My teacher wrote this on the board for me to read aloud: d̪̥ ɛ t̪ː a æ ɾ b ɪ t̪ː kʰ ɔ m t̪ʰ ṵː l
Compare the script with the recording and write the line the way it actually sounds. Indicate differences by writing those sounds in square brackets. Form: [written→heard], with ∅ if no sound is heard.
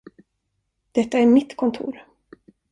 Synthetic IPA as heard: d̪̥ ɛ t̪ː a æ ɾ [b→m] ɪ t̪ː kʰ ɔ [m→n] t̪ʰ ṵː [l→ɾ]